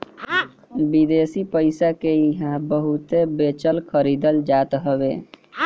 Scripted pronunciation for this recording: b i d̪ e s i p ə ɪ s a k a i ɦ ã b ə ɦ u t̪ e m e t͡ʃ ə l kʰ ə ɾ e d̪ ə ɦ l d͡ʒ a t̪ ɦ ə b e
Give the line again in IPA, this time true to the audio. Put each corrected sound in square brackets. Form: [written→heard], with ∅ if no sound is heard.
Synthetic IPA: b i d̪ e s i p ə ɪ s a k [a→e] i ɦ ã b ə ɦ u t̪ e [m→b] e t͡ʃ ə l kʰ ə ɾ [e→i] d̪ ə [ɦ→∅] l d͡ʒ a t̪ ɦ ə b e